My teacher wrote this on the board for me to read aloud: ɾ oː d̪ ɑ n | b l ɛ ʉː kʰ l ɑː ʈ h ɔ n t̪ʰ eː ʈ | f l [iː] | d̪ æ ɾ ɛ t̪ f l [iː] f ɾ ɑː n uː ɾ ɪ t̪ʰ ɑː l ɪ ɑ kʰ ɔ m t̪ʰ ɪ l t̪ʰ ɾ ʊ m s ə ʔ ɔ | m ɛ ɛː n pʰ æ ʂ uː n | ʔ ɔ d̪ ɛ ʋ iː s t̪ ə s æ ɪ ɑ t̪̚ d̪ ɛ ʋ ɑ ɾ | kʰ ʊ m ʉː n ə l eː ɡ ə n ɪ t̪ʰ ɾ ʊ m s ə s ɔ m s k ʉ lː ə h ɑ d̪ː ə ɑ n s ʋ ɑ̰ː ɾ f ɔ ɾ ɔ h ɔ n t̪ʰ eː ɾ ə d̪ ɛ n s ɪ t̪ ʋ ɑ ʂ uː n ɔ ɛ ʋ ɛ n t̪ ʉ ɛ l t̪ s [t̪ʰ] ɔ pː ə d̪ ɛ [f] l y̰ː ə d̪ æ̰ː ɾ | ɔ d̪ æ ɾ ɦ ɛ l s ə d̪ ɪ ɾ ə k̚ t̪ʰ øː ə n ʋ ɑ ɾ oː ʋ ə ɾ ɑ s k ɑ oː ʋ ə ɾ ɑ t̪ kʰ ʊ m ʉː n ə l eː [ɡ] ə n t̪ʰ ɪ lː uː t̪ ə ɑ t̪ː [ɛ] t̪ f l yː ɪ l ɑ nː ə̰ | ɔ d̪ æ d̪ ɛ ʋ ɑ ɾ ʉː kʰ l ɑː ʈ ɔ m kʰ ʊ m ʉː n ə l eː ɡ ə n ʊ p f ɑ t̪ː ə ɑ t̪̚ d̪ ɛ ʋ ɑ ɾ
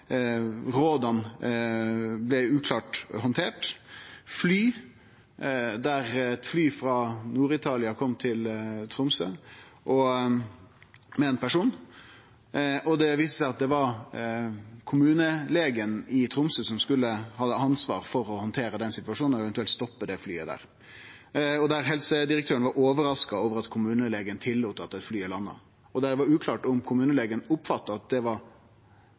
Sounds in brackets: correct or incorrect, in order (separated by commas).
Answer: incorrect, incorrect, incorrect, correct, correct, correct